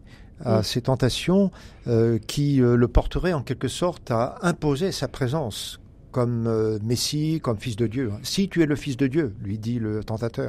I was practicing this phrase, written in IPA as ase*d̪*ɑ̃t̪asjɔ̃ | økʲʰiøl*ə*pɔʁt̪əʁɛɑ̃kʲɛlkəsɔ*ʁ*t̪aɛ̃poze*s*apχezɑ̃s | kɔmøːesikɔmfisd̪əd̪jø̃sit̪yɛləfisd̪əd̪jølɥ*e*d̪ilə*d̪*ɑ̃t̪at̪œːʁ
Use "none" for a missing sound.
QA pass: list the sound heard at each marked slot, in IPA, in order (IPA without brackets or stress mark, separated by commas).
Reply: t̪, ə, ʁ, s, i, t̪